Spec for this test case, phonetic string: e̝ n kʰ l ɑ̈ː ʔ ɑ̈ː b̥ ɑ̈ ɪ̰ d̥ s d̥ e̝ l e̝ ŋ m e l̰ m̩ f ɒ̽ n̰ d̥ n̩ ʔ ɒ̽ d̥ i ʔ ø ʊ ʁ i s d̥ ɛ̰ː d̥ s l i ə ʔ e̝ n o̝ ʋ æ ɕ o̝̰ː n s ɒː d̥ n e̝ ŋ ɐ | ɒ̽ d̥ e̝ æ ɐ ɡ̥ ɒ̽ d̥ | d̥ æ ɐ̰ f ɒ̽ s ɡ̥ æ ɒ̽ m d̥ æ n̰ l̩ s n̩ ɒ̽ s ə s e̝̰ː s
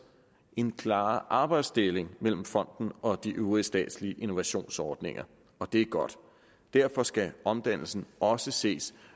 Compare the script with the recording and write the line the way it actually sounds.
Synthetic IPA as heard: e̝ n kʰ l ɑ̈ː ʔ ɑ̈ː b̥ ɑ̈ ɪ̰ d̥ s d̥ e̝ l e̝ ŋ m e l̰ m̩ f ɒ̽ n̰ d̥ n̩ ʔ ɒ̽ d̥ i ʔ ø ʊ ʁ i s d̥ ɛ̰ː d̥ s l i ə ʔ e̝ n o̝ ʋ æ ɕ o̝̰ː n s ɒː d̥ n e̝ ŋ ɐ | ɒ̽ d̥ e̝ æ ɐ ɡ̥ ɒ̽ d̥ | d̥ æ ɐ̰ f ɒ̽ s ɡ̥ æ ɒ̽ m d̥ æ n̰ l̩ s n̩ ɒ̽ s ə s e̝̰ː s